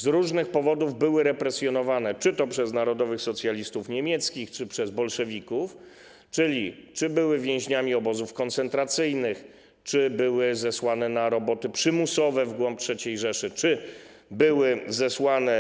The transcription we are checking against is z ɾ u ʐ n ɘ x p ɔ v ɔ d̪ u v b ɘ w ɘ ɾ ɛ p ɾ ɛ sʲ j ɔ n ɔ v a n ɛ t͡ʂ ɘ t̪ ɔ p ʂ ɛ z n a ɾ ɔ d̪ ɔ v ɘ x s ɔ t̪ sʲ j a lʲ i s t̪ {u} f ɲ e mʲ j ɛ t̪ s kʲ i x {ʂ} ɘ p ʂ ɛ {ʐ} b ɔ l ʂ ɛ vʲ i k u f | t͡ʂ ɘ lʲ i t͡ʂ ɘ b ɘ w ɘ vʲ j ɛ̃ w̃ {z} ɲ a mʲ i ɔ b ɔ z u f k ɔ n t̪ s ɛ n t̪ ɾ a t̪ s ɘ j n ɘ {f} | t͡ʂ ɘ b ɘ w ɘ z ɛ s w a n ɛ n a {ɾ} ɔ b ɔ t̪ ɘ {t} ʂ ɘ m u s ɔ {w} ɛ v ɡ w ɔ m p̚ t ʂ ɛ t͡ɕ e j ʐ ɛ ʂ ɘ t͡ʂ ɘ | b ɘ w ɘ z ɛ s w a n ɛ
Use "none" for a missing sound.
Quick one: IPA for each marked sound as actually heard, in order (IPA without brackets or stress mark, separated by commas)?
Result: u, t͡ʂ, z, ʑ, x, ɾ, p, v